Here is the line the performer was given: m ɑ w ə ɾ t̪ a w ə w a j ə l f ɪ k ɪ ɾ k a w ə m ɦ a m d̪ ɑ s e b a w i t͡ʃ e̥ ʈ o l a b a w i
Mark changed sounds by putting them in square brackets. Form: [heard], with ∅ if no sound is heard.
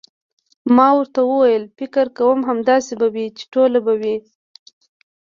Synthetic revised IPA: m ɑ w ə ɾ t̪ a w ə w a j ə l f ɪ k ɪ ɾ k a w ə m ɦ a m d̪ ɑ s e b a w i t͡ʃ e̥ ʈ o l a b a w i